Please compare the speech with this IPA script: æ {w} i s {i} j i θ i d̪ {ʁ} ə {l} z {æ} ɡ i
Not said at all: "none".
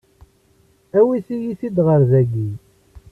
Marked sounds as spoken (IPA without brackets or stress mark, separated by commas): w, i, ʁ, ɾ, æ